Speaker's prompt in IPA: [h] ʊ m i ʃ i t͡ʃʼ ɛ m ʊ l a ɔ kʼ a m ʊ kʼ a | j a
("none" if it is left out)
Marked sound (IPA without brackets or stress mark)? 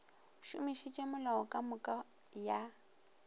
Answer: ʃ